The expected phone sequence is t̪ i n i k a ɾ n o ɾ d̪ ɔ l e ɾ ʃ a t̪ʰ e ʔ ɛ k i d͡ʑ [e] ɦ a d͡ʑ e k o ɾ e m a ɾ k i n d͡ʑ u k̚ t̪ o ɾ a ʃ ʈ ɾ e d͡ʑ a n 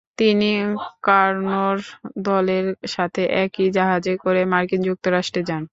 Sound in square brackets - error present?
yes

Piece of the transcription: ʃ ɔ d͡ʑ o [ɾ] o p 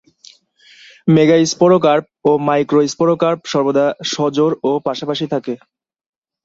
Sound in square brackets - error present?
no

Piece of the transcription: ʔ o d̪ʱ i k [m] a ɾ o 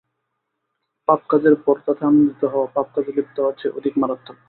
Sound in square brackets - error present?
no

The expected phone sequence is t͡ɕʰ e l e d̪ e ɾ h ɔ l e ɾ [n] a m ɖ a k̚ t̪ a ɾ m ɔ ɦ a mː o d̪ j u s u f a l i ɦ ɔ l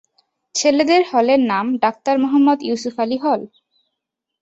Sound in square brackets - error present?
no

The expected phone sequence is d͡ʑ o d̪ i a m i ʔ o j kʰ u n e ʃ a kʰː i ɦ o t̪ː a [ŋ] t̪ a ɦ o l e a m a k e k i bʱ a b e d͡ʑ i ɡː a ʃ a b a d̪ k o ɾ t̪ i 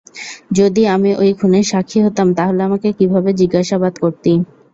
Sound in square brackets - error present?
yes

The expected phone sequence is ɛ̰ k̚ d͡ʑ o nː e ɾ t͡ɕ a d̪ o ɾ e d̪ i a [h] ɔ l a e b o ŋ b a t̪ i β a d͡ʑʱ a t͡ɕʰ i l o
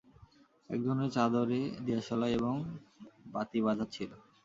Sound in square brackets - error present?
yes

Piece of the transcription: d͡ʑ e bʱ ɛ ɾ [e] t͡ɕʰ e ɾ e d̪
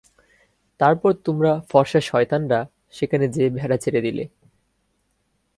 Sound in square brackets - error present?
yes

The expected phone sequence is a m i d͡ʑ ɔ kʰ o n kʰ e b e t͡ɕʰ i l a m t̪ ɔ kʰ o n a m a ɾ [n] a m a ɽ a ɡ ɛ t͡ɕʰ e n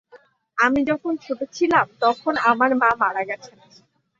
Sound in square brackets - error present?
yes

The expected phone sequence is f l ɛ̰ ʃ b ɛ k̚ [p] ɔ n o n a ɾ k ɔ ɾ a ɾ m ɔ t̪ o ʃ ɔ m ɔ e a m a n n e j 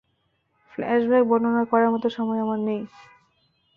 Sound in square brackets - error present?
yes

